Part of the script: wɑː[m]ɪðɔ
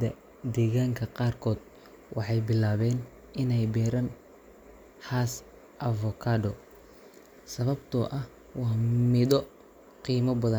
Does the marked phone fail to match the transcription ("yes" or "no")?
no